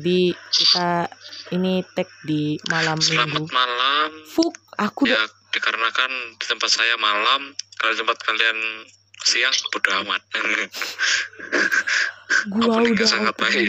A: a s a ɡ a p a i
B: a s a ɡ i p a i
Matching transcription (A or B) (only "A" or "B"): A